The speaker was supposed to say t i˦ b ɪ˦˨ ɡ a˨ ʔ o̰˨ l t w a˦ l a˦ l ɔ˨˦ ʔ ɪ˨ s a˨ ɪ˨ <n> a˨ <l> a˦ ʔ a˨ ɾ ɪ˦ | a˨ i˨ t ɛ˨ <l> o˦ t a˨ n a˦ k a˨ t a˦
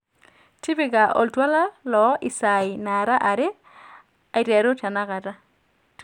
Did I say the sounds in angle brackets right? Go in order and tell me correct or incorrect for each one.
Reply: correct, incorrect, incorrect

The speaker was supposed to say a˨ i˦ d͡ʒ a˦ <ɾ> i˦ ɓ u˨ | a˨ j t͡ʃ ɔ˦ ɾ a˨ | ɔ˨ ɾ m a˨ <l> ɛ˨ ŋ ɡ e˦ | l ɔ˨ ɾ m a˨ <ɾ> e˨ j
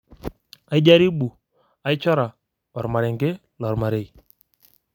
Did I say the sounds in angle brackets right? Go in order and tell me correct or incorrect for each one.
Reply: correct, incorrect, correct

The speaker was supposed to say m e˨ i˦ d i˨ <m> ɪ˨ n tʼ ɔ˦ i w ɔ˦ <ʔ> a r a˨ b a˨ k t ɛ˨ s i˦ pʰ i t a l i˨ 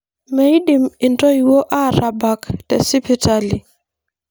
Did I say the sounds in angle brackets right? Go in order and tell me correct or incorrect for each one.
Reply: correct, correct

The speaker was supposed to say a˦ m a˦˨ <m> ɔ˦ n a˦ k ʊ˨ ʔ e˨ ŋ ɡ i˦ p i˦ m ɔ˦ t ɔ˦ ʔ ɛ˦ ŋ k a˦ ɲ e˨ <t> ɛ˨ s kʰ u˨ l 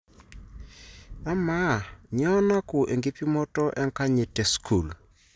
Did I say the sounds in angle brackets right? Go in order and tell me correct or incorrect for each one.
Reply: incorrect, correct

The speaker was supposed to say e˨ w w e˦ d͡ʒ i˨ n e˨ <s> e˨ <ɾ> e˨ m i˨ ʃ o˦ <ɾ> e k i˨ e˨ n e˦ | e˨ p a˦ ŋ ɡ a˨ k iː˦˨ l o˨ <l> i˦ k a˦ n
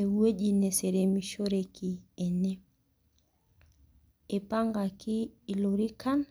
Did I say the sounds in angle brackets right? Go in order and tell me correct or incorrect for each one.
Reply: correct, correct, correct, incorrect

